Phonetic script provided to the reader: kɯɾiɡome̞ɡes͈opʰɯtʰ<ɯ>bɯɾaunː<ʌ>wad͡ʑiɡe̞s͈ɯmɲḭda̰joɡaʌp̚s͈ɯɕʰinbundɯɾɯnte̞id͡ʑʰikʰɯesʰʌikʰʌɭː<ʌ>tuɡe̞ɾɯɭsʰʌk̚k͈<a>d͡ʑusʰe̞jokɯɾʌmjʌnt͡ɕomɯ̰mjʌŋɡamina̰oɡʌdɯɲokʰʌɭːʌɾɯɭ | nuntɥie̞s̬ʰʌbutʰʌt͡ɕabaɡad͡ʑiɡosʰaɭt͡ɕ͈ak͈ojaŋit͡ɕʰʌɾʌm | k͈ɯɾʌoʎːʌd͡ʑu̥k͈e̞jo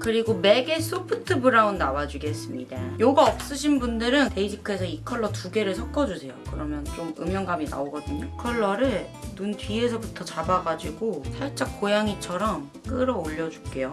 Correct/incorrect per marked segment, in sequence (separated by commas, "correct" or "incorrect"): correct, incorrect, correct, incorrect